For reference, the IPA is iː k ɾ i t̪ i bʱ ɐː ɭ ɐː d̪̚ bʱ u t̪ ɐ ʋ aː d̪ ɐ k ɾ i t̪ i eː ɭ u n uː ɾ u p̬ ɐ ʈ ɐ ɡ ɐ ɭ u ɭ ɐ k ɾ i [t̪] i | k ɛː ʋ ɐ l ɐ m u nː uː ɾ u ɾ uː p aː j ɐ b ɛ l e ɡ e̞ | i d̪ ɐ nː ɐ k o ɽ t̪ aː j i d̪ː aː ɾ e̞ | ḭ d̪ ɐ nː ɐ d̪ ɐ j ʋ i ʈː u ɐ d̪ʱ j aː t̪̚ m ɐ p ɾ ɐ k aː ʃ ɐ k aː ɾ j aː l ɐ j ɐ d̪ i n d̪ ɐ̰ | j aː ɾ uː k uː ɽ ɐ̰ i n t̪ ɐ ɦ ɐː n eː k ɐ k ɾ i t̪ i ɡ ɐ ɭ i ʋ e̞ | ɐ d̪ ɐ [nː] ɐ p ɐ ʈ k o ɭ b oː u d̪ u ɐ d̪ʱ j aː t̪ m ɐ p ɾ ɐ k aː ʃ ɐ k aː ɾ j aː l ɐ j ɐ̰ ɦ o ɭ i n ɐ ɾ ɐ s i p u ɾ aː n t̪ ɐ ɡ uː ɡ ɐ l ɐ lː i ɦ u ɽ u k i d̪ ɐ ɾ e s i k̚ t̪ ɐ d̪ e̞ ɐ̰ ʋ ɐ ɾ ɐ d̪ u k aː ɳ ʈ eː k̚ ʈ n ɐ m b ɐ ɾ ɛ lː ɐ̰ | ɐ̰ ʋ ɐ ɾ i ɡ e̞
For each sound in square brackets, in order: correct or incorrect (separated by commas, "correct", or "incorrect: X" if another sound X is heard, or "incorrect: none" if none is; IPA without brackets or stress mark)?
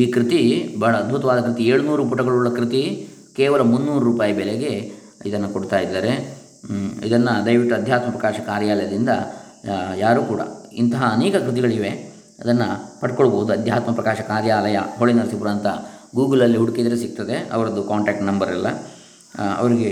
correct, correct